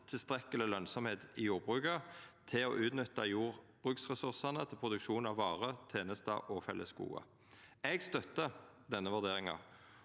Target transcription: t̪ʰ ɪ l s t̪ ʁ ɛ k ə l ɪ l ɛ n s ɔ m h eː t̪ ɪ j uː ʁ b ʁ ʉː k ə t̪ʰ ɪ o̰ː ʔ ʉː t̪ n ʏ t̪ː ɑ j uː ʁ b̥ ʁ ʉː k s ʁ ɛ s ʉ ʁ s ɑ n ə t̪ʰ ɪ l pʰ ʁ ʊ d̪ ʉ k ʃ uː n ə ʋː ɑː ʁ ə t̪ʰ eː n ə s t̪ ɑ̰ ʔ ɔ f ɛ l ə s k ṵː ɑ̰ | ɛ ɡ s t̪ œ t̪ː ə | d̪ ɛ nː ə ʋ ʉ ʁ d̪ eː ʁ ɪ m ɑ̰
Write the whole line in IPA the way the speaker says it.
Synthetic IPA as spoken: t̪ʰ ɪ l s t̪ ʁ ɛ k ə l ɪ l œ n s ɔ m h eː t̪ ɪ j uː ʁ b ʁ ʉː k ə t̪ʰ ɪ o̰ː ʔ ʉː t̪ n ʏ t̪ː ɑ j uː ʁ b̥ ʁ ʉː k s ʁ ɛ s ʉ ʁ s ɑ n ə t̪ʰ ɪ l pʰ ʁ ʊ d̪ ʉ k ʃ uː n ɑ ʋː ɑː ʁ ə t̪ʰ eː n ə s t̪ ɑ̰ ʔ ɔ f ɛ l ə s k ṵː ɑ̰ | ɛ ɡ s t̪ œ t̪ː ə | d̪ ɛ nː ə ʋ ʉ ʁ d̪ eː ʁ ɪ ŋ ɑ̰

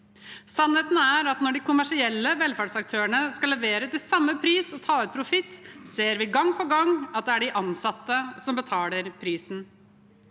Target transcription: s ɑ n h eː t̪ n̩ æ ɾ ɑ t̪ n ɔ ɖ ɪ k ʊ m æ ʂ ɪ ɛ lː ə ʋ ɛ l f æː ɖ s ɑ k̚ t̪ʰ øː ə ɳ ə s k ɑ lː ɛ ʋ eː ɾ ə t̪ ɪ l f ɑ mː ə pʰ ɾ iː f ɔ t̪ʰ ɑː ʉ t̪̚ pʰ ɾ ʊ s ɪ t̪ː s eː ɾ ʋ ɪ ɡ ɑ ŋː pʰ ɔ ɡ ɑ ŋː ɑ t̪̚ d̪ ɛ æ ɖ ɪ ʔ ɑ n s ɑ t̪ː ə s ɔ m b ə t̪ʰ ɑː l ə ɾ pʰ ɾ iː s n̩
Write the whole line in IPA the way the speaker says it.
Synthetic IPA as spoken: s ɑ n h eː t̪ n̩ æ ɾ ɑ t̪ n ɔ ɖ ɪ k ʊ m æ ʂ ɪ ɛ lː ə ʋ ɛ l f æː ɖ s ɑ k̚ t̪ʰ øː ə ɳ ə s k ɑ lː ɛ ʋ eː ɾ ə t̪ ɪ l s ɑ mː ə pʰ ɾ iː s ɔ t̪ʰ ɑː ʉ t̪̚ pʰ ɾ ʊ f ɪ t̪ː s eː ɾ ʋ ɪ ɡ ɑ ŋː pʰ ɔ ɡ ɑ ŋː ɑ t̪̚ d̪ ɛ æ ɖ ɪ ʔ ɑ n s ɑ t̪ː ə s ɔ m b ə t̪ʰ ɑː l ə ɾ pʰ ɾ iː s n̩

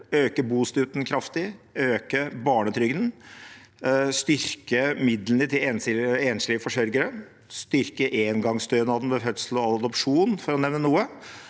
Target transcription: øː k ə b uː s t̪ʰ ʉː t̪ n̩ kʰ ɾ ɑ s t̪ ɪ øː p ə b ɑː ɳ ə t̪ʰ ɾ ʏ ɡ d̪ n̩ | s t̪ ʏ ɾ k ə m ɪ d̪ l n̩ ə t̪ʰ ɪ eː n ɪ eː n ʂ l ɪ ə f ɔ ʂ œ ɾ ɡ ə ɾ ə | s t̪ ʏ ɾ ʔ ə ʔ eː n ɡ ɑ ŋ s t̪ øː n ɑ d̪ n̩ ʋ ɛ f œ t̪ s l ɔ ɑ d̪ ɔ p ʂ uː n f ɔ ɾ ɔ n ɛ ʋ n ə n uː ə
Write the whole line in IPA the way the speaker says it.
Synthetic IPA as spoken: øː k ə b uː s t̪ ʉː t̪ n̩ kʰ ɾ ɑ f t̪ ɪ øː k ə b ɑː ɳ ə t̪ʰ ɾ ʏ ɡ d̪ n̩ | s t̪ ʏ ɾ k ə m ɪ d̪ l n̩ ə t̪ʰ ɪ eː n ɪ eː n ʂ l ɪ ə f ɔ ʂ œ ɾ ɡ ə ɾ ə | s t̪ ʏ ɾ k ə ʔ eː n ɡ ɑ ŋ s t̪ øː n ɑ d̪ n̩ ʋ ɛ f œ t̪ s l ɔ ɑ d̪ ɔ p ʂ uː n f ɔ ɾ ɔ n ɛ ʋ n ə n uː ə

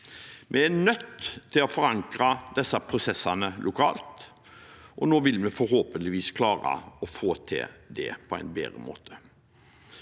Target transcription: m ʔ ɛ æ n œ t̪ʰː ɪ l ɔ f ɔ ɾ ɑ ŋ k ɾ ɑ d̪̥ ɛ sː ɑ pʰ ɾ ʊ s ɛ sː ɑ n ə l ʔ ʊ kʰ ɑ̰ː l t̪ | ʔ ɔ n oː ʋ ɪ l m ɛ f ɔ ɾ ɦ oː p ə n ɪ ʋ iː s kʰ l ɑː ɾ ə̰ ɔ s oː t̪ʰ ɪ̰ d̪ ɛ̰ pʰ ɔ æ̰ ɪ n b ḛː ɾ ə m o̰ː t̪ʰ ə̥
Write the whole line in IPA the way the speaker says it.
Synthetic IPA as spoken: m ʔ ɛ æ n œ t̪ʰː ɪ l ɔ f ɔ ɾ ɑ ŋ k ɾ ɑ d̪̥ ɛ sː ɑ pʰ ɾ ʊ s ɛ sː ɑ n ə l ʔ ʊ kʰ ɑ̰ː l t̪ | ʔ ɔ n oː ʋ ɪ l m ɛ f ɔ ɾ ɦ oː p ə n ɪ ʋ iː s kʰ l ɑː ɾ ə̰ ɔ f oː t̪ʰ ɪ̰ d̪ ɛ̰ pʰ ɔ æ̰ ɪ n b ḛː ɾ ə m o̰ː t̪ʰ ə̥

